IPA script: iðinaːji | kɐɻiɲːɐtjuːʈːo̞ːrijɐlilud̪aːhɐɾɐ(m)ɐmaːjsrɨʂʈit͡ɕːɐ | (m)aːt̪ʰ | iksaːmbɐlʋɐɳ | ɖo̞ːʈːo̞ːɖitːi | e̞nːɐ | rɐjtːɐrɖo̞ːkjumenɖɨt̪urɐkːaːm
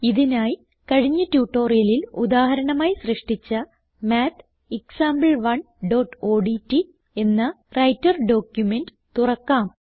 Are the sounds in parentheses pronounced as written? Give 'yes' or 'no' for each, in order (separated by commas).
no, yes